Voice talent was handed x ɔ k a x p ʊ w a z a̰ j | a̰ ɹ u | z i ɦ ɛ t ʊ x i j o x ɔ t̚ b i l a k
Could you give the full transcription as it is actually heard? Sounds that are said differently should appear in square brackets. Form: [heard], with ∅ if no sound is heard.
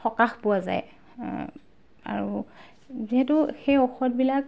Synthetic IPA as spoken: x ɔ k a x p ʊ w a z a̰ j | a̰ ɹ u | z i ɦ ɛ t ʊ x [e] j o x ɔ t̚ b i l a k